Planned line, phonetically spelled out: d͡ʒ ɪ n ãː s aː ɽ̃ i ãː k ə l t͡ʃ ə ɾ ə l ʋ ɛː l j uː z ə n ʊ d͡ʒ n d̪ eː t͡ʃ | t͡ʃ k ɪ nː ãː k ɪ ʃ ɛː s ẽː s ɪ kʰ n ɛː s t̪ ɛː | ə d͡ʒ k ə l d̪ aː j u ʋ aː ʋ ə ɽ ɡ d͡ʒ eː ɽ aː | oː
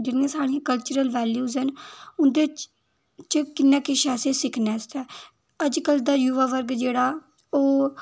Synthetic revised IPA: d͡ʒ ɪ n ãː s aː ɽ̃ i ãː k ə l t͡ʃ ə ɾ ə l ʋ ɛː l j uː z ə n ʊ n d̪ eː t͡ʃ | t͡ʃ k ɪ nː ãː k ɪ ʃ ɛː s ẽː s ɪ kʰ n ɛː s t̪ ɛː | ə d͡ʒ k ə l d̪ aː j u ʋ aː ʋ ə ɾ ɡ d͡ʒ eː ɽ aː | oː